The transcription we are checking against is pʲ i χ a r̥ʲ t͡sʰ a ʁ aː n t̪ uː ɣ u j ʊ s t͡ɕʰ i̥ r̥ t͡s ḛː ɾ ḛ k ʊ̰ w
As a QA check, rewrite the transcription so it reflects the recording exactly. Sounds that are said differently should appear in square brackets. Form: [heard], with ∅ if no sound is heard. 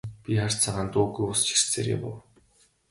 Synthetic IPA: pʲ i χ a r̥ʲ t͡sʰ a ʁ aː n t̪ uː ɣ u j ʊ s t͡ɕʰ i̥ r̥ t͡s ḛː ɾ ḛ [p] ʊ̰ w

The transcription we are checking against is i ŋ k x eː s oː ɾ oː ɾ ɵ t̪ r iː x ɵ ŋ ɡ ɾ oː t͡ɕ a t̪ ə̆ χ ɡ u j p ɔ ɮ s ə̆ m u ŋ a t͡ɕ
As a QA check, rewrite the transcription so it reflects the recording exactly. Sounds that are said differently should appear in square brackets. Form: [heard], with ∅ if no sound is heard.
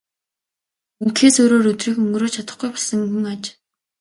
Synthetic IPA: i ŋ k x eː s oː ɾ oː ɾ ɵ t̪ r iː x ɵ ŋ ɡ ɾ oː [t͡ɕʰ] a t̪ ə̆ χ ɡ u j p ɔ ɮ s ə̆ [ŋ] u ŋ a t͡ɕ

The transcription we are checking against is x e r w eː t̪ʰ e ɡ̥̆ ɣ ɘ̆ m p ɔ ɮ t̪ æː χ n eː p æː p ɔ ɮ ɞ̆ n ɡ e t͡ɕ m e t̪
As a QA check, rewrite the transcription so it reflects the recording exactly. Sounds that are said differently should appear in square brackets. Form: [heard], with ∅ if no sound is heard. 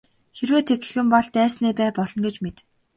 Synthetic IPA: x e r w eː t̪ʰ e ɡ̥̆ [x] ɘ̆ m p ɔ ɮ t̪ æː [s] n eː p æː p ɔ ɮ ɞ̆ n ɡ e t͡ɕ m e t̪

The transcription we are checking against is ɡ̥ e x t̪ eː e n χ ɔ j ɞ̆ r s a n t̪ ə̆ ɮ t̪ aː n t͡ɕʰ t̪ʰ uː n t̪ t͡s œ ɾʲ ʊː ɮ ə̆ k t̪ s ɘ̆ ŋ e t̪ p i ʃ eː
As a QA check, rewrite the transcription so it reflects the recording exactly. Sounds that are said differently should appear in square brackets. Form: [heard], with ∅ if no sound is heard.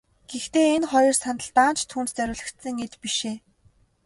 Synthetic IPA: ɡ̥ e x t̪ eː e n χ ɔ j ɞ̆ r s a n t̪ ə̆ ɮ t̪ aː n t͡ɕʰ t̪ʰ uː n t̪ t͡s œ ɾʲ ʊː ɮ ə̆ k t̪ s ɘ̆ ŋ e t̪ p i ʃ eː

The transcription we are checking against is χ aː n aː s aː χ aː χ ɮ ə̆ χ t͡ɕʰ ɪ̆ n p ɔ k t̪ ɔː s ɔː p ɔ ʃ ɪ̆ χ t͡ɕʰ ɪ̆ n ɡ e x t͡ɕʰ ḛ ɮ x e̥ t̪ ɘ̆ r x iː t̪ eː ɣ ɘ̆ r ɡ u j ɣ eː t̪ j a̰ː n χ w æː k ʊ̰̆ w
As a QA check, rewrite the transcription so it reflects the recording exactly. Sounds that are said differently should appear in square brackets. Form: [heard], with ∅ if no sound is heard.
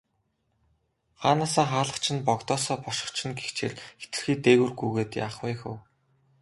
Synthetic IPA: χ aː n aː s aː χ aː [∅] ɮ ə̆ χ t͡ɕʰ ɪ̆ n p ɔ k t̪ ɔː s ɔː p ɔ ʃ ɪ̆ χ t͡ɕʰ ɪ̆ n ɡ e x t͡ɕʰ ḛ ɮ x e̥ t̪ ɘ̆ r x iː t̪ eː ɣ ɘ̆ r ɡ u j ɣ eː t̪ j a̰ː [∅] χ w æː [x] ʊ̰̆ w

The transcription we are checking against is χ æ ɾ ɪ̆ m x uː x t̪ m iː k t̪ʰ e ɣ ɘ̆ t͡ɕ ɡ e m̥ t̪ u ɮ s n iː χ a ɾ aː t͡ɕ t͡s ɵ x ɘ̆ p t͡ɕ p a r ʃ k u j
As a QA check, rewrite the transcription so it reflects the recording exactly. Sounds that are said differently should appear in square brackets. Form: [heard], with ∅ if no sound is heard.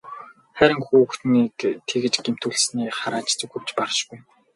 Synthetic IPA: χ æ ɾ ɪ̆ [ŋ] x uː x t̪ [n] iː k t̪ʰ e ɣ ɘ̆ t͡ɕ ɡ e m̥ t̪ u ɮ s n iː χ a ɾ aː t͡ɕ t͡s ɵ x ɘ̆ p t͡ɕ p a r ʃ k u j

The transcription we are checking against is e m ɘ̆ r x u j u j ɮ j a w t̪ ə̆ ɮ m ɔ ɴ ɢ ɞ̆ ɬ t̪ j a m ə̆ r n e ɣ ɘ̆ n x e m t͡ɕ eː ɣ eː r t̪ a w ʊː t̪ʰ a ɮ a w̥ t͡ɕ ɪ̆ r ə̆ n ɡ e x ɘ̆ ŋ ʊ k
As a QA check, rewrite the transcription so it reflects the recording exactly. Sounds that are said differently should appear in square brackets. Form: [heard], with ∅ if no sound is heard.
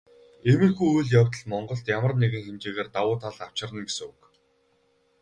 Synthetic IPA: e m ɘ̆ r x u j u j ɮ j a w t̪ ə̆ ɮ m ɔ ɴ ɢ ɞ̆ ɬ t̪ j a m ə̆ r n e ɣ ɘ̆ [ŋ] x e m t͡ɕ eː ɣ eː r t̪ a w ʊː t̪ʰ a ɮ a w̥ t͡ɕ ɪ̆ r ə̆ n ɡ e [s] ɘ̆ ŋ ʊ k

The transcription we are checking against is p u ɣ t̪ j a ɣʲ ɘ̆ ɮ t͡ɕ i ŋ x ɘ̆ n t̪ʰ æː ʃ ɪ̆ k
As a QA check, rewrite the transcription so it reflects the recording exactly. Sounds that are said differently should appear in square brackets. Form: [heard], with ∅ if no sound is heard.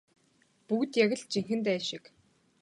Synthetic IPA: p u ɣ t̪ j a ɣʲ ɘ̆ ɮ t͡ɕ i ŋ x ɘ̆ n [t̪] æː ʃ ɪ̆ k

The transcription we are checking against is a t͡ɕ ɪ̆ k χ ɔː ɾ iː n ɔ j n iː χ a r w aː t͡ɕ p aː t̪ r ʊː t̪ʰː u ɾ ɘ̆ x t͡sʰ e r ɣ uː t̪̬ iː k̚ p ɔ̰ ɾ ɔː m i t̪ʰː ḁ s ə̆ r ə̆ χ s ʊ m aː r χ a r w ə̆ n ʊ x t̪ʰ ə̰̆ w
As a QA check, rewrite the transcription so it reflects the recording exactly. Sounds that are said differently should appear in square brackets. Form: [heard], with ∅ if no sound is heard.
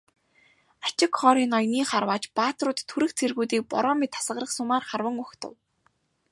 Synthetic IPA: a t͡ɕ ɪ̆ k χ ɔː ɾ iː n ɔ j n iː χ a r w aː t͡ɕ p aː t̪ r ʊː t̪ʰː u ɾ ɘ̆ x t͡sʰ e r ɣ uː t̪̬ iː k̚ p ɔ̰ ɾ ɔː m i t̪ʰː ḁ s ə̆ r ə̆ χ s ʊ m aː r χ a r w ə̆ [ŋ] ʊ x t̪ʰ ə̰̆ w

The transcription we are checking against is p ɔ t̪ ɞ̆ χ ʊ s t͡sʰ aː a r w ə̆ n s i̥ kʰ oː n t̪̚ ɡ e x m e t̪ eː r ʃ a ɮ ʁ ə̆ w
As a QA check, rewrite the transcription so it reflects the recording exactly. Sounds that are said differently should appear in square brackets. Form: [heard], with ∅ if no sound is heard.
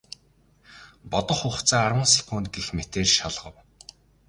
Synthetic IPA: p ɔ t̪ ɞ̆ χ ʊ [χ] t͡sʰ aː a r w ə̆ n s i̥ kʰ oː n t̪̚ ɡ e x m e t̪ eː r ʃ a ɮ ʁ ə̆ w

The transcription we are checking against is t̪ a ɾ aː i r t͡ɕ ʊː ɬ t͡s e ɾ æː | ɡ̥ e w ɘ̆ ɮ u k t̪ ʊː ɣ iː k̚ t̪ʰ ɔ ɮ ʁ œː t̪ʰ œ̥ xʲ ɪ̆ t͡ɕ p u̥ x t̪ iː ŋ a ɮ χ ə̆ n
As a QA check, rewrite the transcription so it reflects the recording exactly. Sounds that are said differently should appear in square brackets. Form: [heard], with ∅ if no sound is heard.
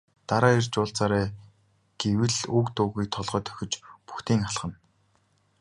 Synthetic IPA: t̪ a ɾ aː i r t͡ɕ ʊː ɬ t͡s [a] ɾ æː | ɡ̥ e w ɘ̆ ɮ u k t̪ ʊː ɣ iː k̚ t̪ʰ ɔ ɮ ʁ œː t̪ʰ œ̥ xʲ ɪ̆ t͡ɕ p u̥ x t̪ iː ŋ a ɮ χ ə̆ n

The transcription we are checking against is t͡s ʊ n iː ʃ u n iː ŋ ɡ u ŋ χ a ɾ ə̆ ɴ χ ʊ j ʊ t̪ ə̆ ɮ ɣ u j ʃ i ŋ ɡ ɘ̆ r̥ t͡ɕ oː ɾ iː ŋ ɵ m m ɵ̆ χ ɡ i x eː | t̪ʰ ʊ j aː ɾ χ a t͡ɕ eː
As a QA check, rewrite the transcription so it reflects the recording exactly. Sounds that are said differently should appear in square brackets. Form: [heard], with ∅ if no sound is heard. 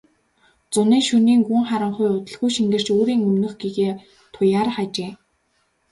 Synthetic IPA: t͡s ʊ n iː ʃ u n iː ŋ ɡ u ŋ χ a ɾ ə̆ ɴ χ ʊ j ʊ t̪ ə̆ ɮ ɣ u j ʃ i ŋ ɡ ɘ̆ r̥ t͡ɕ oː ɾ iː ŋ ɵ m [n] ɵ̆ χ ɡ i [ɣ] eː | t̪ʰ ʊ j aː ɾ χ a t͡ɕ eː

